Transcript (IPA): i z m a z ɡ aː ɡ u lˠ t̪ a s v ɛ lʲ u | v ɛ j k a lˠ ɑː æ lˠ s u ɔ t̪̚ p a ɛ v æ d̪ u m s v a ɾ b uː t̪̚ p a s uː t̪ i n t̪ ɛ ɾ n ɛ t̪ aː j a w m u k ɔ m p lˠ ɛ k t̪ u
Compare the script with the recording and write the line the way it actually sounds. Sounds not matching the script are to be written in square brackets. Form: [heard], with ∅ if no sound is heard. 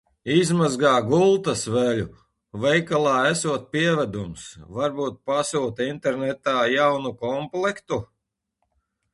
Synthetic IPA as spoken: i z m a z ɡ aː ɡ u lˠ t̪ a s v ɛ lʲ u | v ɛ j k a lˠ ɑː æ [∅] s u ɔ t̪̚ p [i] ɛ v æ d̪ u m s v a ɾ b uː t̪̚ p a s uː t̪ i n t̪ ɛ ɾ n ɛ t̪ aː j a w [n] u k ɔ m p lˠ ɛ k t̪ u